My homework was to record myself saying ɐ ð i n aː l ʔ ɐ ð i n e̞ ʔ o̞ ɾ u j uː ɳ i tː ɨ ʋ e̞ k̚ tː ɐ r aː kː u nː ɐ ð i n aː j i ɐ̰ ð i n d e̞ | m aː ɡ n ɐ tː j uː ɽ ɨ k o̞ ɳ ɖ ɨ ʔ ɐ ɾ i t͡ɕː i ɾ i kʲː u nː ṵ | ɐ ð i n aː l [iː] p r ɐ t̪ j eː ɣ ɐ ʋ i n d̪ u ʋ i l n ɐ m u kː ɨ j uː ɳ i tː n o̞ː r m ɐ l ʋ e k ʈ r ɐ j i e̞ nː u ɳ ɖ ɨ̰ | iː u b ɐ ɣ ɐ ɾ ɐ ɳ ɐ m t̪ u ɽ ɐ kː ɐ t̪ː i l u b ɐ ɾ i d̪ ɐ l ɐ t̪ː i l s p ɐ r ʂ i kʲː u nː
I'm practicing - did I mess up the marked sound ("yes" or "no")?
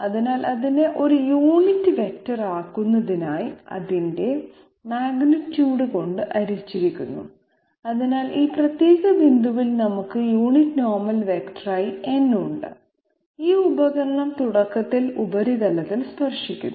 no